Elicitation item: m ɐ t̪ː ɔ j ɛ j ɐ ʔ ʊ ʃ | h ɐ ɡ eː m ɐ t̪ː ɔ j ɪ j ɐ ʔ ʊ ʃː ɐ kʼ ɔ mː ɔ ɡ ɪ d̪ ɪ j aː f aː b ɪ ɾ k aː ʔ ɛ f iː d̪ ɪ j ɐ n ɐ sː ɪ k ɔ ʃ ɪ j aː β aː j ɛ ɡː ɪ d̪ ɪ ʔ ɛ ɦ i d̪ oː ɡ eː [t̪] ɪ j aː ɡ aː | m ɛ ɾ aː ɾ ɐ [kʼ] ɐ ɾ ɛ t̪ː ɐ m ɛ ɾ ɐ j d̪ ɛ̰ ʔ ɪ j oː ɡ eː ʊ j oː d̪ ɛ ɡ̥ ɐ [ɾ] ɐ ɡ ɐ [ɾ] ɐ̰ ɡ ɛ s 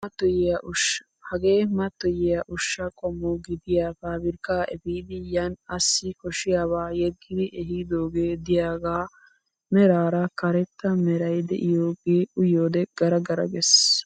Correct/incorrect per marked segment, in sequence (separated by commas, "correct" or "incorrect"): incorrect, incorrect, correct, correct